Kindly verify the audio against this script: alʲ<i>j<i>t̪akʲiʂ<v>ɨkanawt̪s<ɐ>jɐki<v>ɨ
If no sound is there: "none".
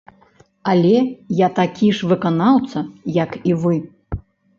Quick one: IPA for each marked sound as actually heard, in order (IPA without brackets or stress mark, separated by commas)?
ɛ, a, v, ɐ, v